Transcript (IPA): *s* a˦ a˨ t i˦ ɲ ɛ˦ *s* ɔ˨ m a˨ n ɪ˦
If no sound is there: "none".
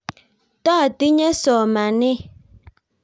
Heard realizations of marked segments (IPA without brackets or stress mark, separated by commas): t, s